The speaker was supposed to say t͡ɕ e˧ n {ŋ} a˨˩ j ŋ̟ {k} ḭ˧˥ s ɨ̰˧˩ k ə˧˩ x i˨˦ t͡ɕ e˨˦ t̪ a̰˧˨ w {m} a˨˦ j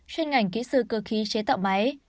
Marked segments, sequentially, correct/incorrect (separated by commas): correct, correct, correct